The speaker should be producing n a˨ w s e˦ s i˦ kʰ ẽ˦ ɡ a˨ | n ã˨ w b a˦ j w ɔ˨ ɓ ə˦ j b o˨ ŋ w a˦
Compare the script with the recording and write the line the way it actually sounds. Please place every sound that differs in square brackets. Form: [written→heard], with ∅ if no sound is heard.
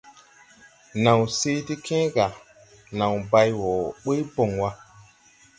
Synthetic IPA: n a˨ w s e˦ [s→t] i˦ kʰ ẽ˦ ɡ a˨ | n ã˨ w b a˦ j w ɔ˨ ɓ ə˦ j b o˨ ŋ w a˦